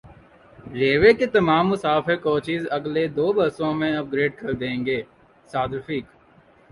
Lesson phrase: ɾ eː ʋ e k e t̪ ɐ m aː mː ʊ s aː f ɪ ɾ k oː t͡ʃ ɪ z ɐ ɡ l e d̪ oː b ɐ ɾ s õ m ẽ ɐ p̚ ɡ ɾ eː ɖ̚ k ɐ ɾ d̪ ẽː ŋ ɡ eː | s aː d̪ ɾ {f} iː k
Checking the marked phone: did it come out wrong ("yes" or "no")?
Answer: no